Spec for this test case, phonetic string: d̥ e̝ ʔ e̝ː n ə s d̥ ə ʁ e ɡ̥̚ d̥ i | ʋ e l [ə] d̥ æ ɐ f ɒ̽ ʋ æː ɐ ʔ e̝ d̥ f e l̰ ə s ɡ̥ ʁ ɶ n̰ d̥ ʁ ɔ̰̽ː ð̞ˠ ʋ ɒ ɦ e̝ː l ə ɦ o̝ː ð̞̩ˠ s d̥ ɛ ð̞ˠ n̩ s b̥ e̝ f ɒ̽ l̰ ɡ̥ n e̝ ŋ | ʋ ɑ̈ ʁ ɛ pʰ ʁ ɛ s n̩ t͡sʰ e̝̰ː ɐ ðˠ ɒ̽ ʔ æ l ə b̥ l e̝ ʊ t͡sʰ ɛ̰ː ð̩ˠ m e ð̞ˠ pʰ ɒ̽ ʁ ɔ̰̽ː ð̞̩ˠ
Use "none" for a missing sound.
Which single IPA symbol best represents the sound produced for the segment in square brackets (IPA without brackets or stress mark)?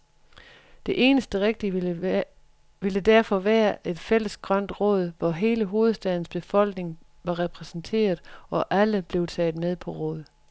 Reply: ə